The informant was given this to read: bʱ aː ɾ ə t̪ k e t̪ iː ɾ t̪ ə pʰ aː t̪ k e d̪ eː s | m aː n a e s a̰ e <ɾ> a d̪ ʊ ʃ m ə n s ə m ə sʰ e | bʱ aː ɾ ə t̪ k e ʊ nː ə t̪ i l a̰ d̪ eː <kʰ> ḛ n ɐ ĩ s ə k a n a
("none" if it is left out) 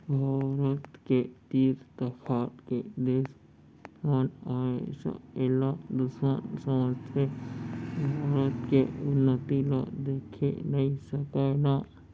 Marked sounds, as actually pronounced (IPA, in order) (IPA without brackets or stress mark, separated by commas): l, kʰ